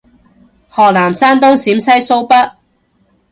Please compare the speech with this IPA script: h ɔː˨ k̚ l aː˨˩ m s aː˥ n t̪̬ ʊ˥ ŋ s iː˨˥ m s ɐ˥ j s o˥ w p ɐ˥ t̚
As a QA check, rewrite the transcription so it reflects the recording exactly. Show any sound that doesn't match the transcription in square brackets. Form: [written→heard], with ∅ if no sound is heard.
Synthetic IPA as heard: h ɔː˨ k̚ l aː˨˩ m s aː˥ n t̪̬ ʊ˥ ŋ s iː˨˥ m s ɐ˥ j s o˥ w p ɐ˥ t̚